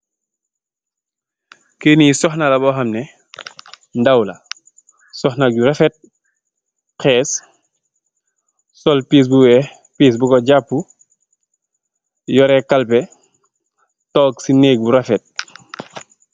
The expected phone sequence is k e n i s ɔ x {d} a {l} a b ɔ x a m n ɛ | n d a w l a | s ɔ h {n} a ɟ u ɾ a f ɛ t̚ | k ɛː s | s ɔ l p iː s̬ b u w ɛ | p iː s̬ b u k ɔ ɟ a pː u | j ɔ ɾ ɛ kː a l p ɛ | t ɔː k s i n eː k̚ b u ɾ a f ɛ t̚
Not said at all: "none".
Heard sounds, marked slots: n, l, n

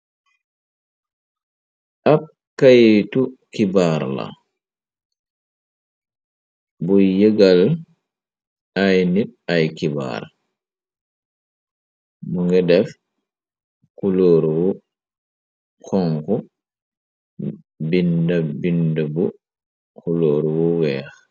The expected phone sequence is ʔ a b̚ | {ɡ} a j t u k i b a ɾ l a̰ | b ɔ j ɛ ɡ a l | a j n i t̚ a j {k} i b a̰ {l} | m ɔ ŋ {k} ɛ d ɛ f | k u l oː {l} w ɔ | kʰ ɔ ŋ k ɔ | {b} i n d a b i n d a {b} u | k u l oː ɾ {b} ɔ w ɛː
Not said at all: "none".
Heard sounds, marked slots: k, k, ɾ, ɡ, ɾ, b, b, w

